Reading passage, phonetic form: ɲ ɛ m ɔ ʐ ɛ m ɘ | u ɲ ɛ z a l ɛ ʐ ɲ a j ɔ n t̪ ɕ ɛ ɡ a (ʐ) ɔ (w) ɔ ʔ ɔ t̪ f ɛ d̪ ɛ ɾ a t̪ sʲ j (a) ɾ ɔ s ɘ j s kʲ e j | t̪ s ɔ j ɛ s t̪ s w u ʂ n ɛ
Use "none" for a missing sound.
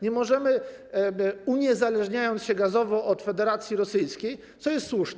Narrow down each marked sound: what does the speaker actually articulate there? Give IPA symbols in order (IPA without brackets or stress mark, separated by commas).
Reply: z, v, i